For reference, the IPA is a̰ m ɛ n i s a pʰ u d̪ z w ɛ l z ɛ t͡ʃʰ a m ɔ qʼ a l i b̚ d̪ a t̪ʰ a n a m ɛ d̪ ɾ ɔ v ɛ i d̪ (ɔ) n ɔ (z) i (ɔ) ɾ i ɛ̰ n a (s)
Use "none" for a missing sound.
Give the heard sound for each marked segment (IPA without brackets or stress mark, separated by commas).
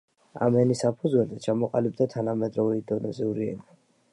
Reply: ɔ, z, u, none